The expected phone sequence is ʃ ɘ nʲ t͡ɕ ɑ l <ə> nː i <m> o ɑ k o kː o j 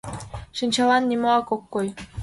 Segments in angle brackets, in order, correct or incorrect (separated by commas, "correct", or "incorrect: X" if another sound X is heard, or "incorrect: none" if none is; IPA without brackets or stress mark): incorrect: ɑ, correct